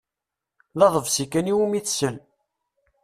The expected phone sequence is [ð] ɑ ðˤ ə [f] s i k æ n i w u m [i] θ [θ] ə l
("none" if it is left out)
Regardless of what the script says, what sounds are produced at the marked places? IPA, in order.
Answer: ð, v, i, s

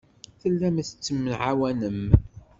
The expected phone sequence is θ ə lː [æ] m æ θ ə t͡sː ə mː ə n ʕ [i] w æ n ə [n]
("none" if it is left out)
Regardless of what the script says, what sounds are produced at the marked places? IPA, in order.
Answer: æ, a, m

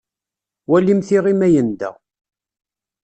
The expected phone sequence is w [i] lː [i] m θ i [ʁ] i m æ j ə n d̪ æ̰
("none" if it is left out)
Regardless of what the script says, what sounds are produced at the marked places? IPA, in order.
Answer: æ, i, ʁ

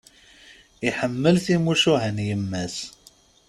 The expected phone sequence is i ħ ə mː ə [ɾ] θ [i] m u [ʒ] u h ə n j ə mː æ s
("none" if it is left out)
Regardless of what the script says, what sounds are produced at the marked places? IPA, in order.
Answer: l, i, ʃ

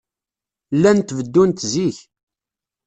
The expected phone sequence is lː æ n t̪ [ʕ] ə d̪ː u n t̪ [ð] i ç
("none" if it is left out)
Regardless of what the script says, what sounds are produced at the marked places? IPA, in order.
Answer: v, z

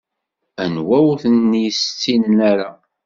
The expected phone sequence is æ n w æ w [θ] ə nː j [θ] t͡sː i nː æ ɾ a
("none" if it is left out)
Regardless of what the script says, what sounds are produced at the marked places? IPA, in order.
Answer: θ, s

